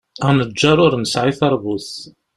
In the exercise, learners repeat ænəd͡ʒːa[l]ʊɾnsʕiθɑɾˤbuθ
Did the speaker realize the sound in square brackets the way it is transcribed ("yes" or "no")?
no